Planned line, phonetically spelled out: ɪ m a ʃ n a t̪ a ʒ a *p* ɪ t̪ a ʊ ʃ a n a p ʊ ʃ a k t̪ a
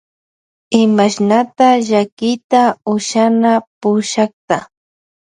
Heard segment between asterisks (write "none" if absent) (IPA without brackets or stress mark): k